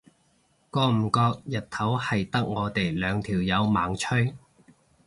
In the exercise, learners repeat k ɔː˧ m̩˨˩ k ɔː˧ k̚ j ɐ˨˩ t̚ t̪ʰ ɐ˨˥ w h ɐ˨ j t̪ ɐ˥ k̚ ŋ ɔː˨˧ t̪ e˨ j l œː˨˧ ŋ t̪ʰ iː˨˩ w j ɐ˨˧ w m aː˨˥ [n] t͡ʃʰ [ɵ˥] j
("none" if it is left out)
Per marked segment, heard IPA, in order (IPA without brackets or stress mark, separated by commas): ŋ, ɵ˥